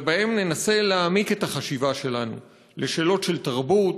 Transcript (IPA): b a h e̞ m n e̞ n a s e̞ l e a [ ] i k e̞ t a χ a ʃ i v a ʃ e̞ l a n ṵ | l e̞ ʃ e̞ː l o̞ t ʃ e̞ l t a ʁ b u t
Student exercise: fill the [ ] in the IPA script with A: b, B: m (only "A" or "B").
B